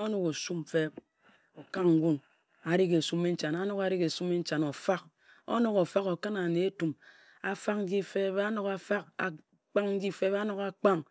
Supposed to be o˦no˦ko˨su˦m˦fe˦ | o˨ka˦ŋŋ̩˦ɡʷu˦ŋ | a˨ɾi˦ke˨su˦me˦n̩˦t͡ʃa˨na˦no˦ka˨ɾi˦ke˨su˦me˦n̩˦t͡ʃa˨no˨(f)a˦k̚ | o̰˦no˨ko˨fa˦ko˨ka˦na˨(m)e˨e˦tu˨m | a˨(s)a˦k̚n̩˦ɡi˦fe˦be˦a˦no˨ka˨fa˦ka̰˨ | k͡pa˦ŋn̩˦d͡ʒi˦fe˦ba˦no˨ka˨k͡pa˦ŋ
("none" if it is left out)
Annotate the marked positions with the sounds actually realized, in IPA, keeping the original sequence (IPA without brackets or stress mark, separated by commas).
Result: f, n, f